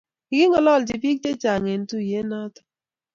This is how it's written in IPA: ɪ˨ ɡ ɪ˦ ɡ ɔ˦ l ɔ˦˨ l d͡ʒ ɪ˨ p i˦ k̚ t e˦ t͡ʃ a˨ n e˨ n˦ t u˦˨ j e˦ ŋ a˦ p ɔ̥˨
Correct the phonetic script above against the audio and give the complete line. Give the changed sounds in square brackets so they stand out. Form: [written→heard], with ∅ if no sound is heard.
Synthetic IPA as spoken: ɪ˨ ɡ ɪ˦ [ɡ→ŋ] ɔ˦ l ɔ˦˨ l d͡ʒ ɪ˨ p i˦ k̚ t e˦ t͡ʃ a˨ [n→ŋ] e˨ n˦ t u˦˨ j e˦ [ŋ→n] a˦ [p→t] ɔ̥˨